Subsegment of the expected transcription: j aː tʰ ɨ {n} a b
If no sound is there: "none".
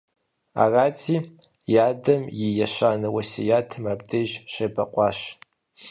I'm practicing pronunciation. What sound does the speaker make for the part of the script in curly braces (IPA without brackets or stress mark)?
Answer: m